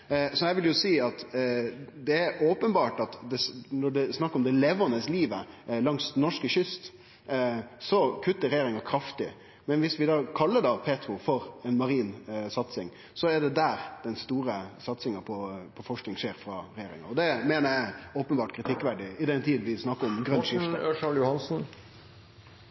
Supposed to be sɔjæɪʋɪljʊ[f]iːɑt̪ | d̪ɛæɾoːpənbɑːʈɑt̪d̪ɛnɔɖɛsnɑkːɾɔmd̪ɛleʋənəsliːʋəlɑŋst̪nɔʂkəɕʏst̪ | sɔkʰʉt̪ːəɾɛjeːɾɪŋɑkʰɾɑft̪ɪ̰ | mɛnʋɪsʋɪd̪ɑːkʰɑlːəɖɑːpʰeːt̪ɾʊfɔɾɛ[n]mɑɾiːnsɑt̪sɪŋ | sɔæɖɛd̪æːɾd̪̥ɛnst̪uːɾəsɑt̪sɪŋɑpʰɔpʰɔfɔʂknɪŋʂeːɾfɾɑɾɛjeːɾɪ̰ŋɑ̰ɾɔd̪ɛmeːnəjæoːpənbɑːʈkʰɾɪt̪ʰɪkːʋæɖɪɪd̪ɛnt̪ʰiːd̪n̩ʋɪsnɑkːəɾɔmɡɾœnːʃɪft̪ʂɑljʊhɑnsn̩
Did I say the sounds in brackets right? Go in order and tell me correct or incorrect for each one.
incorrect: s, correct

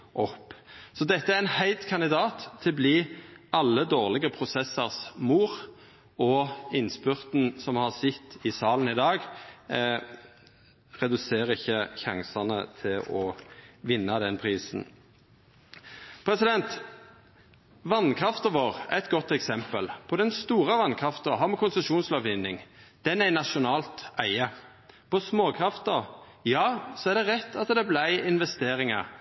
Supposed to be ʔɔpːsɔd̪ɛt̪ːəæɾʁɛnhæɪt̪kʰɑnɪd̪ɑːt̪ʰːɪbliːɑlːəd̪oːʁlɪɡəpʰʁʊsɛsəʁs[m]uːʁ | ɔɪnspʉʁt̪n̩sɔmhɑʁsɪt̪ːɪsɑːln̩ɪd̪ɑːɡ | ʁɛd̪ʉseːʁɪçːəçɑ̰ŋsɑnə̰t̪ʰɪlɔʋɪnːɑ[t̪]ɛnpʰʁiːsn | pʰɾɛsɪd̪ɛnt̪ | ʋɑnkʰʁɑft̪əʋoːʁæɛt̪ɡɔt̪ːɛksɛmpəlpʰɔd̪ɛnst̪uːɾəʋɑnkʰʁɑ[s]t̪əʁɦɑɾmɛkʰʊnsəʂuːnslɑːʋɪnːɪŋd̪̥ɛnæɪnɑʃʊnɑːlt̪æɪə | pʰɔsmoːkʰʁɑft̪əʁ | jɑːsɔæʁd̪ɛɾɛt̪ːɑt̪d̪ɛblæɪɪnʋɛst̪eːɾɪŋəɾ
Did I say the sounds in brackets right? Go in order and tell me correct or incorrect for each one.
correct, incorrect: d̪, incorrect: f

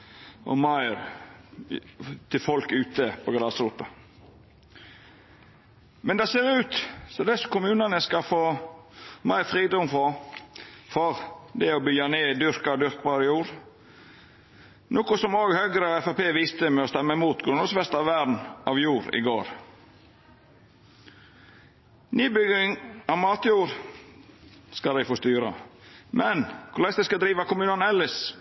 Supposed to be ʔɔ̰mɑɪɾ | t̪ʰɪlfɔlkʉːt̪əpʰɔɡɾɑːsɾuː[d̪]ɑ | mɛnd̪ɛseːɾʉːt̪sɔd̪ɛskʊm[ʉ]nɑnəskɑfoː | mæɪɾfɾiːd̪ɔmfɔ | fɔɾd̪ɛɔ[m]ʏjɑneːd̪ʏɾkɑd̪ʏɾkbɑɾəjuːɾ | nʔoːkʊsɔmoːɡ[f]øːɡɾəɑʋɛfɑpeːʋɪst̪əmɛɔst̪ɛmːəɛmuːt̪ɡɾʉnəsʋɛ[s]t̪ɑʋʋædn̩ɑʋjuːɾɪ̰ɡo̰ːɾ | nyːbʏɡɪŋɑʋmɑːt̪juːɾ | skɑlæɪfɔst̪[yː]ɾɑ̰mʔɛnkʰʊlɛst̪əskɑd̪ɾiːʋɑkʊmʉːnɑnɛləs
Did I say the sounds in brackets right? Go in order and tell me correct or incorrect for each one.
incorrect: t̪, incorrect: ʉː, incorrect: b, incorrect: h, correct, correct

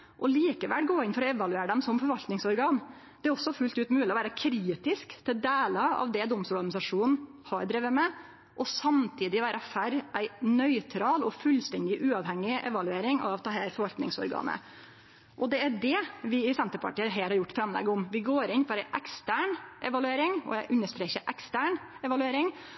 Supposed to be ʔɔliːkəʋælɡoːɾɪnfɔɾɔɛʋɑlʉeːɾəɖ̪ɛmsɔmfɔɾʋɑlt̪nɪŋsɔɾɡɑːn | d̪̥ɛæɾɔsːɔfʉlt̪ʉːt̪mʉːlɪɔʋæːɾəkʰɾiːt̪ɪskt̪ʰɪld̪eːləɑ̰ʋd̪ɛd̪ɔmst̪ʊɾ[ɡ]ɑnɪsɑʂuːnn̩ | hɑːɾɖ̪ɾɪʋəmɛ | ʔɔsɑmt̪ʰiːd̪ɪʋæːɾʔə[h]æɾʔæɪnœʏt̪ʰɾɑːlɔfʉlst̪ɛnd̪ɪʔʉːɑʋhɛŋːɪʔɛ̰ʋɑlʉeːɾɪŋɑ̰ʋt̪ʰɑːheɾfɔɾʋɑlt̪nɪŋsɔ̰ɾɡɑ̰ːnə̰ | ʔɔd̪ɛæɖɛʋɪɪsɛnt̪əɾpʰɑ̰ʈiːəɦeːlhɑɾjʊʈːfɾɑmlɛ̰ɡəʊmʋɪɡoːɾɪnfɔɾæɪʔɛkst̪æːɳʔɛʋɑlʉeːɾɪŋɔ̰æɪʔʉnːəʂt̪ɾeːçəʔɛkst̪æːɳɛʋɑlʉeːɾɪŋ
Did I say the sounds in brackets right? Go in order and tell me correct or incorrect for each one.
correct, incorrect: f

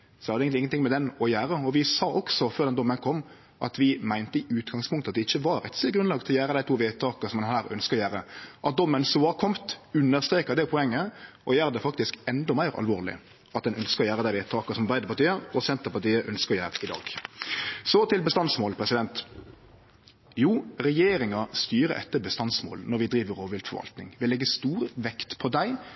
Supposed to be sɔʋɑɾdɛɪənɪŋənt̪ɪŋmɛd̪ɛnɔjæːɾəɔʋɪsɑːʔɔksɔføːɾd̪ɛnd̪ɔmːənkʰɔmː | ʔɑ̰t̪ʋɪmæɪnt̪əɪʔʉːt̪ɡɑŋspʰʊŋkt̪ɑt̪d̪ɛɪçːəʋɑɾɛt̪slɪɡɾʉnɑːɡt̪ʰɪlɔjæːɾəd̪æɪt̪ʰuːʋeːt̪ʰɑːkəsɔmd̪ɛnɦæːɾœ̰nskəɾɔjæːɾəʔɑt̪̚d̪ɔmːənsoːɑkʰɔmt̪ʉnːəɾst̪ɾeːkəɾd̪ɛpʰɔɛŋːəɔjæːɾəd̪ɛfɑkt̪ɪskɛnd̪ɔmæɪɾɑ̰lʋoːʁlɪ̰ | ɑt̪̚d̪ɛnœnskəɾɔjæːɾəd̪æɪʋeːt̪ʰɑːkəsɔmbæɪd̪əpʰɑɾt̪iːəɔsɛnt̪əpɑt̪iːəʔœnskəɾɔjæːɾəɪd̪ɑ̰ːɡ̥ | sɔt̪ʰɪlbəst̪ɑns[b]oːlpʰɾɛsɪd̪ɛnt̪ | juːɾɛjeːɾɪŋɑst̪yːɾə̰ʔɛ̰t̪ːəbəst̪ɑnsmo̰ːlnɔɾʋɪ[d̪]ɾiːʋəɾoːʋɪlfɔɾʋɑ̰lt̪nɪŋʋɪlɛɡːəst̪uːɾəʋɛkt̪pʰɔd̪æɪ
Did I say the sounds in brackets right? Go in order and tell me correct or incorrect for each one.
incorrect: m, correct

